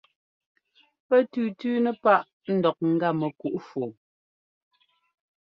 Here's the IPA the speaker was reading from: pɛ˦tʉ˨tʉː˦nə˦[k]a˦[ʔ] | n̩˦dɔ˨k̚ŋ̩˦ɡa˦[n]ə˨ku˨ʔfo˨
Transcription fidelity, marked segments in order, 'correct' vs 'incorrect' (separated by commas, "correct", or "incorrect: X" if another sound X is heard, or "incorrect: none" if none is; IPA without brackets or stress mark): incorrect: p, correct, incorrect: m